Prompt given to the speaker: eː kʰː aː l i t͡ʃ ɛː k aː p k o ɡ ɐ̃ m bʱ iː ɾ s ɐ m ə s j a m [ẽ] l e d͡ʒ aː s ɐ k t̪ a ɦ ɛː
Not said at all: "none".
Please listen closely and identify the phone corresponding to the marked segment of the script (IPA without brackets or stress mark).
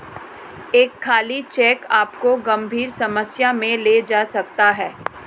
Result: ẽ